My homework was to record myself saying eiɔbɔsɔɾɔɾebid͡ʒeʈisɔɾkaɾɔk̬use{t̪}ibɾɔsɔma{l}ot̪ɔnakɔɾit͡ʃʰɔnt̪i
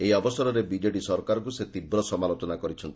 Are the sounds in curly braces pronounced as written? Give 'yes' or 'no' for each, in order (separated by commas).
yes, yes